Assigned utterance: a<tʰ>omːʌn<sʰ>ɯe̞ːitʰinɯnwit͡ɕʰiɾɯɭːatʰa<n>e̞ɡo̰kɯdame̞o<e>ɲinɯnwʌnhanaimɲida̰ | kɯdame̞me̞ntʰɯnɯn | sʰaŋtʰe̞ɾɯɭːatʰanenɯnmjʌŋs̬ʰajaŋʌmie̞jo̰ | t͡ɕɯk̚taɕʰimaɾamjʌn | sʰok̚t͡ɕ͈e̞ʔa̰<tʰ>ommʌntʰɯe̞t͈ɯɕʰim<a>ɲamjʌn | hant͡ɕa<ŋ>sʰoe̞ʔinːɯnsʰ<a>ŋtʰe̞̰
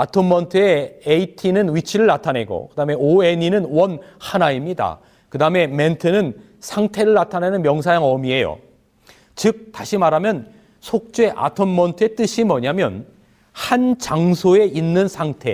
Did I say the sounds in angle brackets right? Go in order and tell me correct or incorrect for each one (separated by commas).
correct, incorrect, correct, correct, correct, incorrect, correct, correct